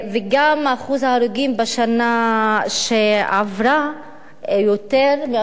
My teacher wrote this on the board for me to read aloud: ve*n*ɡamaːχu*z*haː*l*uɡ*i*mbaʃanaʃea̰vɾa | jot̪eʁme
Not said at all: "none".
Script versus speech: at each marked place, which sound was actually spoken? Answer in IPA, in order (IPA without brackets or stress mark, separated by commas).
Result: none, z, ɾ, i